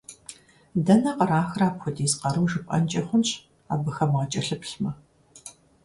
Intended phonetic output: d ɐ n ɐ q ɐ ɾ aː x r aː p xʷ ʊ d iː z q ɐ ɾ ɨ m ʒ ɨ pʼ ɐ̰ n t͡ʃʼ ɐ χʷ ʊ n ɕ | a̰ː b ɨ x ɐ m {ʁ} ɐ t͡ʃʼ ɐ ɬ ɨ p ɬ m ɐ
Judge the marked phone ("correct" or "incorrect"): correct